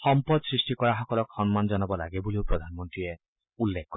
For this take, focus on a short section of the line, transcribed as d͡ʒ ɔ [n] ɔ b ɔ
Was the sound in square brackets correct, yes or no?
yes